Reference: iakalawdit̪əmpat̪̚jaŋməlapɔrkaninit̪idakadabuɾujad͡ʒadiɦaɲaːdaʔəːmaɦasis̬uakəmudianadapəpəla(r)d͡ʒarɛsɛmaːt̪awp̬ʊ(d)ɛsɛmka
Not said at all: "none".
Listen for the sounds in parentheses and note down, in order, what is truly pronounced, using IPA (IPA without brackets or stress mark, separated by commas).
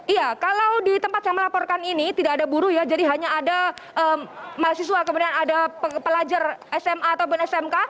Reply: none, n